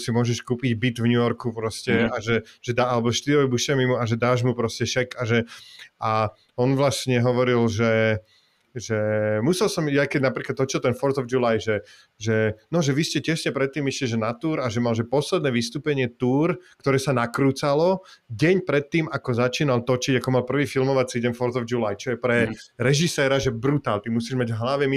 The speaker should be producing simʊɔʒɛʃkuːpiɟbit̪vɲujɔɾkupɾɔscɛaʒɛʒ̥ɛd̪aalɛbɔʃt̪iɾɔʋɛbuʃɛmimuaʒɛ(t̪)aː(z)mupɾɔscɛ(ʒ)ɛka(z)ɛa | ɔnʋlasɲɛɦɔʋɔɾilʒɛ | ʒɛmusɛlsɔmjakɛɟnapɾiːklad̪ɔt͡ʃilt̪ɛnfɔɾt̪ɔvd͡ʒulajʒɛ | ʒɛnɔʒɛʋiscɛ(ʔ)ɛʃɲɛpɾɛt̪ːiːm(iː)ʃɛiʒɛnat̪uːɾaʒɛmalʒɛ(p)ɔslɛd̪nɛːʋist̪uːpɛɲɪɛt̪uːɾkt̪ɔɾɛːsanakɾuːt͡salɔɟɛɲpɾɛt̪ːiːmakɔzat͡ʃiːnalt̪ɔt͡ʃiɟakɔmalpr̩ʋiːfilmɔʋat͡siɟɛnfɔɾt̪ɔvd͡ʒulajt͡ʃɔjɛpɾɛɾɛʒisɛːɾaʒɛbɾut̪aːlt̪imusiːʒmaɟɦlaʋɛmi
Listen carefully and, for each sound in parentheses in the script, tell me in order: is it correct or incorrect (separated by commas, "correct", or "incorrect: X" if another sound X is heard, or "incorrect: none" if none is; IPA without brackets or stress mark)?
incorrect: d̪, incorrect: ʒ, incorrect: ʃ, incorrect: ʒ, incorrect: c, incorrect: i, correct